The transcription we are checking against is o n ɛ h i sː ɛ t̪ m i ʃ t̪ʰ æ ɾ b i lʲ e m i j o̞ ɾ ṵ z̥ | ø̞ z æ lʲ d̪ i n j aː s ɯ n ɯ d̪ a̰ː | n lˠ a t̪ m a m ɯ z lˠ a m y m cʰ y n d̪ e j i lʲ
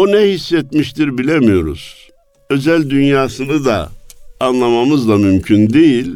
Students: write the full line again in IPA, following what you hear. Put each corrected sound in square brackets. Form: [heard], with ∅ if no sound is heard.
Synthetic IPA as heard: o n ɛ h i sː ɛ t̪ m i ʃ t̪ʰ [i] ɾ b i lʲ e m i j o̞ ɾ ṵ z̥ | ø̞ z æ lʲ d̪ [y] n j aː s ɯ n ɯ d̪ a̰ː | n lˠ a [∅] m a m ɯ z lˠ a m y m cʰ y n d̪ e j i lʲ